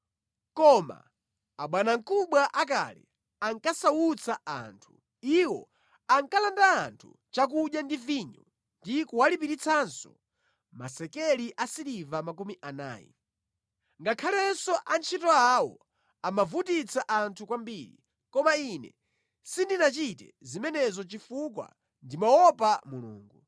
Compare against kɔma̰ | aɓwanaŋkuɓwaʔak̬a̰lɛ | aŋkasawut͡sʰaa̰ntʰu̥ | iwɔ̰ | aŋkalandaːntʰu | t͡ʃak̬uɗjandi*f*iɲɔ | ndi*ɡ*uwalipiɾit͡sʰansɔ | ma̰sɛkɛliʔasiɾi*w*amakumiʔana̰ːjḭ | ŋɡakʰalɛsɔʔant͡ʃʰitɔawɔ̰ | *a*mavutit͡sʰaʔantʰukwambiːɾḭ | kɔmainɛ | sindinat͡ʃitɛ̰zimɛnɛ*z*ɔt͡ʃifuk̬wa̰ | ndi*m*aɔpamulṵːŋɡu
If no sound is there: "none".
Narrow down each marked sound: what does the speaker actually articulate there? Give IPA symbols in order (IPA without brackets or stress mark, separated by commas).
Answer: v, k, v, a, z, m